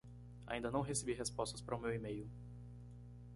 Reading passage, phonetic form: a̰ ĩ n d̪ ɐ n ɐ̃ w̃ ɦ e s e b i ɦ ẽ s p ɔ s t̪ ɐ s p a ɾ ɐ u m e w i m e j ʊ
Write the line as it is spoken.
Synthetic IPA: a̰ ĩ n d̪ ɐ n ɐ̃ w̃ ɦ e s e b i ɦ e s p ɔ s t̪ ɐ s p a ɾ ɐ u m e w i m e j ʊ